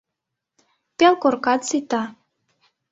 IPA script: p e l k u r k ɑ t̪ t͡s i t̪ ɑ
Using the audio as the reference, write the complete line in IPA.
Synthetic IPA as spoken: p e l k o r k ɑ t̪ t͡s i t̪ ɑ